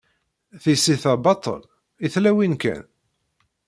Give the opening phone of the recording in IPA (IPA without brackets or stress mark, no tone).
θ